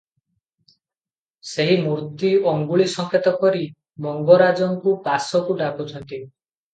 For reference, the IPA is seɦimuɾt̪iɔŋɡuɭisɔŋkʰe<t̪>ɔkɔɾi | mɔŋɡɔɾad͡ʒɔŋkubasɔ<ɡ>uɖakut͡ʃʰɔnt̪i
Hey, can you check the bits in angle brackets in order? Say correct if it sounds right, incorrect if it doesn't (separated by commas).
correct, incorrect